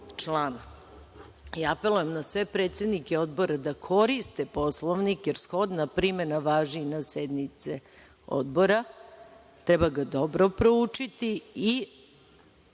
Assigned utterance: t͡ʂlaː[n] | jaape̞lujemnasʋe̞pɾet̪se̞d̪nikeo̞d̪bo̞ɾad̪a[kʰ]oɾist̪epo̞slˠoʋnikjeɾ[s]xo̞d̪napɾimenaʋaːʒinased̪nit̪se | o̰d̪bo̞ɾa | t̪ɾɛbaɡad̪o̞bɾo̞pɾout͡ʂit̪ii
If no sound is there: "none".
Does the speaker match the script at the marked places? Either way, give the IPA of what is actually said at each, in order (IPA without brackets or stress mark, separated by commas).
n, kʰ, s